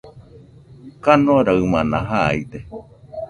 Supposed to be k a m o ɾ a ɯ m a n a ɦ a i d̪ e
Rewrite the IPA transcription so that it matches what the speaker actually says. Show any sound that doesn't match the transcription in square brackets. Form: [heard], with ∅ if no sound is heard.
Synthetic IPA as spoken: k a [n] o ɾ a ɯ m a n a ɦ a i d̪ e